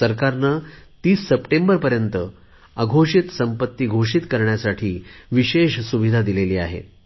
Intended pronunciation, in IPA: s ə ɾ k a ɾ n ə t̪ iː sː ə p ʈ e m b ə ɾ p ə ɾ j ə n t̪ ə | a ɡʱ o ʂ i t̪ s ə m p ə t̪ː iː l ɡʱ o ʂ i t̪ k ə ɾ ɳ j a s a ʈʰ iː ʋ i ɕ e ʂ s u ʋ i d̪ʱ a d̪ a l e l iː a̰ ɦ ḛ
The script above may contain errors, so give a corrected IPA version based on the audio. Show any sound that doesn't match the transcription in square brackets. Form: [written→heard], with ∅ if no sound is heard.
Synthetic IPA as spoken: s ə ɾ k a ɾ n ə t̪ iː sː ə p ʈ e m b ə ɾ p ə ɾ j ə n t̪ ə | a ɡʱ o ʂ i t̪ s ə m p ə t̪ː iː [l→∅] ɡʱ o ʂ i t̪ k ə ɾ ɳ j a s a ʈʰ iː ʋ i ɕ e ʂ s u ʋ i d̪ʱ a d̪ [a→i] l e l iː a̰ ɦ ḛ